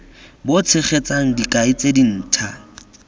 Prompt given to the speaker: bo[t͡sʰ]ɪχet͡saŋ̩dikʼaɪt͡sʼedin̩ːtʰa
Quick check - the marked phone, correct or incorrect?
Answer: correct